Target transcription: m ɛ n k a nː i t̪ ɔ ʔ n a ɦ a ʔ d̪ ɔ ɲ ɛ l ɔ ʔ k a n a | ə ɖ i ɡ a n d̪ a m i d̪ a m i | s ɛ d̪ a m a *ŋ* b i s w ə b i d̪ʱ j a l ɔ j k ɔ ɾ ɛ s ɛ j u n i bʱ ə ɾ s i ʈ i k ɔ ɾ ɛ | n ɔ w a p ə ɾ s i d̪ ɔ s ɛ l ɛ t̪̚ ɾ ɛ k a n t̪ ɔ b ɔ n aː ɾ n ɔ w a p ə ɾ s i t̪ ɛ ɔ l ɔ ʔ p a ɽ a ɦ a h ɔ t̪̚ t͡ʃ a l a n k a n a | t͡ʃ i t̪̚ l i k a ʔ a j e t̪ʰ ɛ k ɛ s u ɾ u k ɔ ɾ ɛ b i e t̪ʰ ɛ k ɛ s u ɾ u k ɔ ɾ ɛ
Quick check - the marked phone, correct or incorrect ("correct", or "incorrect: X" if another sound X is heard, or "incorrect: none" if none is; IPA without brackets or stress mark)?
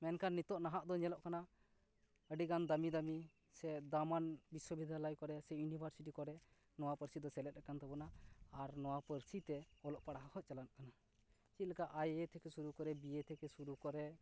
incorrect: n